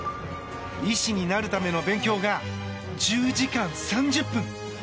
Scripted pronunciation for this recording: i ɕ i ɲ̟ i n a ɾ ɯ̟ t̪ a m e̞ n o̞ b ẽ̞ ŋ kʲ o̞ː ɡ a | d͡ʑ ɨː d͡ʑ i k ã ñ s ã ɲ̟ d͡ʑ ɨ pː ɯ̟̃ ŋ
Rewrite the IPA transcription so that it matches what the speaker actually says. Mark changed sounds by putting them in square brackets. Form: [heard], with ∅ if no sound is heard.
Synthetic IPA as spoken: i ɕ i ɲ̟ i n a ɾ ɯ̟ t̪ a m e̞ n o̞ b ẽ̞ ŋ kʲ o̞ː ɡ a | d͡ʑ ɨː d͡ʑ i k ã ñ s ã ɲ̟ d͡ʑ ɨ pː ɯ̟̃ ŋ